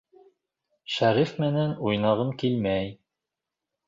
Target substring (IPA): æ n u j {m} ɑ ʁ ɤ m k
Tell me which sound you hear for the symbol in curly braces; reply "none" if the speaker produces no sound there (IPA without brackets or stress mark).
n